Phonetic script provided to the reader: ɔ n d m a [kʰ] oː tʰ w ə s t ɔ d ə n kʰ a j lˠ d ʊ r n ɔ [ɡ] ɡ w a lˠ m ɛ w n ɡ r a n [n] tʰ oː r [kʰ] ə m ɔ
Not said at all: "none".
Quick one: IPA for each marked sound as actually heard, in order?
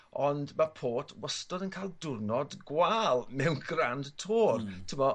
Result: pʰ, d, d, tʰ

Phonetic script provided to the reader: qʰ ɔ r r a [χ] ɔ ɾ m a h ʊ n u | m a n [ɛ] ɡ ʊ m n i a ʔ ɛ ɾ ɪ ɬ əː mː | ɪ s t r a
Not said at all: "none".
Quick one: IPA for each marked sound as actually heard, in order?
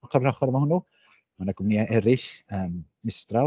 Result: χ, a

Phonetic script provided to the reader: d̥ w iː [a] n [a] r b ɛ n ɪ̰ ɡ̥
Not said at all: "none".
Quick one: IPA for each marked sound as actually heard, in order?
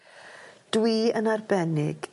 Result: ə, a

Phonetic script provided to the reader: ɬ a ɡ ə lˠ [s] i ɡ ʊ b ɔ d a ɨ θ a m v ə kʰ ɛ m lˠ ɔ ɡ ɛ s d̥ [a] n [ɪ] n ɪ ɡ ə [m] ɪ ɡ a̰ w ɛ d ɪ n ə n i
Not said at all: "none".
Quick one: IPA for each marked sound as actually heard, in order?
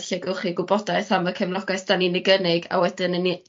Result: χ, a, i, n

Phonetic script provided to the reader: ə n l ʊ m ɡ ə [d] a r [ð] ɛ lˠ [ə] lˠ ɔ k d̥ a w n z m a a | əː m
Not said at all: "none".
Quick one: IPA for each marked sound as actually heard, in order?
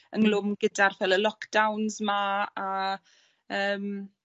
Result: d, v, ə

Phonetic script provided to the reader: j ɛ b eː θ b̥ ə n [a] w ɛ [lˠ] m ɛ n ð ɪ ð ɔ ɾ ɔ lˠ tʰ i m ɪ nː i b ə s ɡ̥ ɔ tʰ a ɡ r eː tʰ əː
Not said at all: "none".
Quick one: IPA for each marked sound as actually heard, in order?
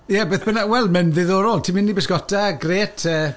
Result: a, lˠ

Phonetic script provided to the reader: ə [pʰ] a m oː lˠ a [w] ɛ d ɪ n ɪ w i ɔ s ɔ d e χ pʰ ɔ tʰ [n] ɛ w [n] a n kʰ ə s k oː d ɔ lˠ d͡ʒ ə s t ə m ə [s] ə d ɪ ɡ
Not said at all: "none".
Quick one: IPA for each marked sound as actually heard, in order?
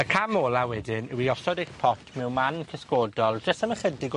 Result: kʰ, w, m, m, χ

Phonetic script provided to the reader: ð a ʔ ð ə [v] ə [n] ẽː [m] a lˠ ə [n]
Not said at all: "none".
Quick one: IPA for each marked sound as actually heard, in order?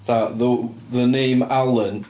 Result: ð, n, m, n

